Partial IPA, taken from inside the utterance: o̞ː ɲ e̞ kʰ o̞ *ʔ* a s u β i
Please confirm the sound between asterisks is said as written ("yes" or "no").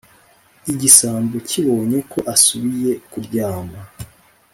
yes